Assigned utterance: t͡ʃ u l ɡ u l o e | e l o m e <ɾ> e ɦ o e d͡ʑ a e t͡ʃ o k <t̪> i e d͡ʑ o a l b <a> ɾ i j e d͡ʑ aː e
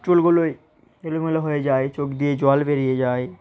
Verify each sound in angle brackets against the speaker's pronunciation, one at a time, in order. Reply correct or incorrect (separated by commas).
incorrect, incorrect, incorrect